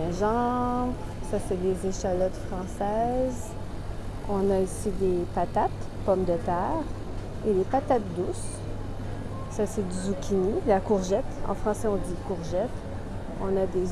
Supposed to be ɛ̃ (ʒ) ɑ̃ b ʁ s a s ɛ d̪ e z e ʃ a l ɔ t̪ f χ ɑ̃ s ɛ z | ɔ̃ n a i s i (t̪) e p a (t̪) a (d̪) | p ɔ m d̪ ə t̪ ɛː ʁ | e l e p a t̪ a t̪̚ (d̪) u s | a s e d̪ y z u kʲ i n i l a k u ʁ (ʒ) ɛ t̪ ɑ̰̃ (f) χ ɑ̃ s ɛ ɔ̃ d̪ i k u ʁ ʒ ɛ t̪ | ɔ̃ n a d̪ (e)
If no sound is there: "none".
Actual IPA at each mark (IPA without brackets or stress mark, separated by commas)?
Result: ʒ, d̪, t̪, t̪, d̪, ʒ, f, e